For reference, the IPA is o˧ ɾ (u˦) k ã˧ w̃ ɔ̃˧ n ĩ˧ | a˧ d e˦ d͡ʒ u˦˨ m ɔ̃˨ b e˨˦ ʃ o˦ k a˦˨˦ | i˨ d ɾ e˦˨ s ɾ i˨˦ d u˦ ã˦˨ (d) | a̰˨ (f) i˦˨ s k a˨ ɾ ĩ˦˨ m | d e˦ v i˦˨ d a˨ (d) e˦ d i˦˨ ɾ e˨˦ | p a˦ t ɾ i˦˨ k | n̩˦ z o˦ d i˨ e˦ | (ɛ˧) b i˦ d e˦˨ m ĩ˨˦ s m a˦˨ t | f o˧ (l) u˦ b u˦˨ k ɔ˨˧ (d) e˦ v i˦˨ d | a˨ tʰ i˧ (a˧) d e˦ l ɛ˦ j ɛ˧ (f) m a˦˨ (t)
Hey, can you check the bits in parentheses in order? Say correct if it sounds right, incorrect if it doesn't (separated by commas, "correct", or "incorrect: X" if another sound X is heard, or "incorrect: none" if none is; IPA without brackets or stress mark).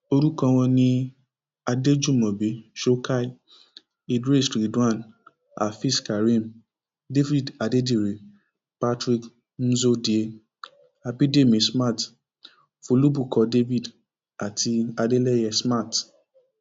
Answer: correct, incorrect: n, correct, correct, incorrect: a˧, correct, correct, correct, incorrect: s, correct